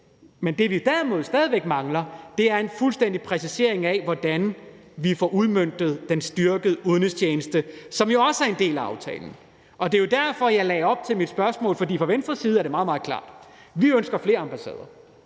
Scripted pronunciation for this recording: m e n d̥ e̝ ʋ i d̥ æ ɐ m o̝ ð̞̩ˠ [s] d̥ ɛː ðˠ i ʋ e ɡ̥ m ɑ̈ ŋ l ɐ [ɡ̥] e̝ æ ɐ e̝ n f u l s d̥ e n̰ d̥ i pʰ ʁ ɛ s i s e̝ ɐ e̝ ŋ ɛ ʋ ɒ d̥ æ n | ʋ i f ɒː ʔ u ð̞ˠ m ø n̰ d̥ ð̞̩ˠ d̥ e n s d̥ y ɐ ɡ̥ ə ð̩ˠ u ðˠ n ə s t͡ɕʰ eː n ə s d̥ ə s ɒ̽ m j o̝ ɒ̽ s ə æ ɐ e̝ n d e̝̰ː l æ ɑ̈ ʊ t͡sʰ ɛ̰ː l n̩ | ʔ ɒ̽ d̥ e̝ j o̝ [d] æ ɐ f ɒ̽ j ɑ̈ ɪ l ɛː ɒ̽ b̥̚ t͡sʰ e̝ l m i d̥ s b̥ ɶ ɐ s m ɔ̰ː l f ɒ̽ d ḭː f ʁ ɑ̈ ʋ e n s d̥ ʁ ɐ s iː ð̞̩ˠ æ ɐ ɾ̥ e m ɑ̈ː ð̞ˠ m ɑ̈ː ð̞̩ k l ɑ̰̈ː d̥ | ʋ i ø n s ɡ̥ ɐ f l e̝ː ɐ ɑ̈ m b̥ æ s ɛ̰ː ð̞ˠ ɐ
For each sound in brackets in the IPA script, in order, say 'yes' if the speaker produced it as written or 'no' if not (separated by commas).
yes, no, yes